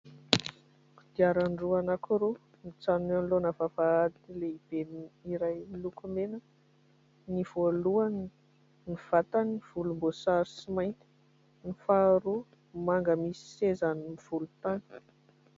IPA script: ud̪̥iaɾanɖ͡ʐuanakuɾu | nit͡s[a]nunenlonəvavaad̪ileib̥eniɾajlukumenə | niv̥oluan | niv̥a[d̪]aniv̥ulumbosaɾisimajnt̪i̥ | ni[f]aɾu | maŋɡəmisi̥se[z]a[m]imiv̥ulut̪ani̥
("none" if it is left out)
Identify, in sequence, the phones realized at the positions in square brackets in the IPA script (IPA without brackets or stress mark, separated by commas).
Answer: a, t̪, f, z, n